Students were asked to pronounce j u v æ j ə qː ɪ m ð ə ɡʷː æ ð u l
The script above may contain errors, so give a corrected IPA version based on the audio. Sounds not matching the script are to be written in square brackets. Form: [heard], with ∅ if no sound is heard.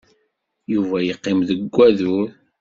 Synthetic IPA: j u v æ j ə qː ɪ m ð ə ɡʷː æ ð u [ɾ]